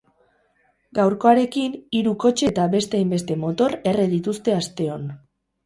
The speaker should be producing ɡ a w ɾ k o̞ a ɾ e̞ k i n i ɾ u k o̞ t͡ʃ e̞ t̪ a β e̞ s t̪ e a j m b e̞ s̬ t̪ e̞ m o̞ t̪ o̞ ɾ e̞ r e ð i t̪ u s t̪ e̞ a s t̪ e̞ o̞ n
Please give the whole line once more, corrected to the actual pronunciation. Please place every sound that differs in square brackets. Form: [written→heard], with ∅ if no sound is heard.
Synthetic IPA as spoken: ɡ a w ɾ k o̞ a ɾ e̞ k i n i ɾ u k o̞ t͡ʃ e̞ t̪ a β e̞ s t̪ e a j m b e̞ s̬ t̪ e̞ m o̞ t̪ o̞ ɾ e̞ r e ð i t̪ u s t̪ e̞ a s t̪ e̞ o̞ n